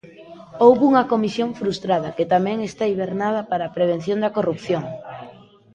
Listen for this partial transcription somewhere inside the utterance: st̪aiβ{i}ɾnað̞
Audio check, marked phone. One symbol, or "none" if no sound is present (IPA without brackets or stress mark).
e